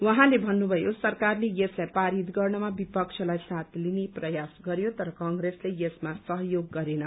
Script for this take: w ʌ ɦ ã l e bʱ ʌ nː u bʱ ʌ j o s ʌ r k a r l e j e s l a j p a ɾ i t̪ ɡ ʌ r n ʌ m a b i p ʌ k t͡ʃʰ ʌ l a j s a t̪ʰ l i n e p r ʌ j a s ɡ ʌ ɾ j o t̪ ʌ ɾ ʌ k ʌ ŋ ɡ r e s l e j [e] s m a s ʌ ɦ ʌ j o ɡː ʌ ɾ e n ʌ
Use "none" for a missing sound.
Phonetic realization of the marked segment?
e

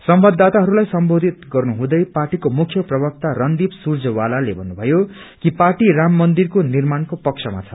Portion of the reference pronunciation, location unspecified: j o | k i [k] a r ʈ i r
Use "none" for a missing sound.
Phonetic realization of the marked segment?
p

